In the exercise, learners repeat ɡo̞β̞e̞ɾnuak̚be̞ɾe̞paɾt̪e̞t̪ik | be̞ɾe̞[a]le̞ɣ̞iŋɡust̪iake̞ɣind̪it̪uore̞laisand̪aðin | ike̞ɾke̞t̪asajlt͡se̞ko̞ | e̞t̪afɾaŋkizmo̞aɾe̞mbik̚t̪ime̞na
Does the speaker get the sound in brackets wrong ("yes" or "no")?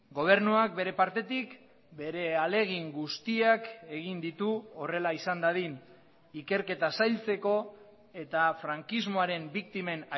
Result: no